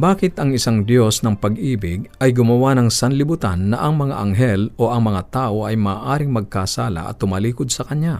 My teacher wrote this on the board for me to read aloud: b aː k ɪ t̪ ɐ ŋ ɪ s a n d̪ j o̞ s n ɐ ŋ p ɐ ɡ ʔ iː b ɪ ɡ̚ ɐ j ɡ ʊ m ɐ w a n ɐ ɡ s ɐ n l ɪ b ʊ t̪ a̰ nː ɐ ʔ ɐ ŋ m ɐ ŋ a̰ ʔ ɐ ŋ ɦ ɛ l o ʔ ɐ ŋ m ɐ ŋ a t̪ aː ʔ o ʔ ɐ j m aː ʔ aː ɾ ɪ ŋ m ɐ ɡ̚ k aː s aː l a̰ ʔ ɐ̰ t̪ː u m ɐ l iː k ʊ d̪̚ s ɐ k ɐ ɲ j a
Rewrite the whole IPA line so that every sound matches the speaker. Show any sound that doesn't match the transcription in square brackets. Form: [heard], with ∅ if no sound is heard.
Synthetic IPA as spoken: b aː k ɪ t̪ ɐ ŋ ɪ s a [ŋ] d̪ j o̞ s n ɐ ŋ p ɐ ɡ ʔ iː b ɪ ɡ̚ ɐ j ɡ ʊ m ɐ w a n ɐ [ŋ] s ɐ n l ɪ b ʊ t̪ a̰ nː ɐ ʔ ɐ ŋ m ɐ ŋ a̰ ʔ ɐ ŋ ɦ ɛ l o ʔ ɐ ŋ m ɐ ŋ a t̪ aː ʔ o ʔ ɐ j m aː ʔ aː ɾ ɪ ŋ m ɐ ɡ̚ k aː s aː l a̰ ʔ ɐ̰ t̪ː [ʊ] m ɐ l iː k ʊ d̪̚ s ɐ k ɐ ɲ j a